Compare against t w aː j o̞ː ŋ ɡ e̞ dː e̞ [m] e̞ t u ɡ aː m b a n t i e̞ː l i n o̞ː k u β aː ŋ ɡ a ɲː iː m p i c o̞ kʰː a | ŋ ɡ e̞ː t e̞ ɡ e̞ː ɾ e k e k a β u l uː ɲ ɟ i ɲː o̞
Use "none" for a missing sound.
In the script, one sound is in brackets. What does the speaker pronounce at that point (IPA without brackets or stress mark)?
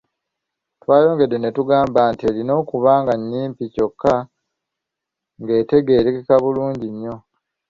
n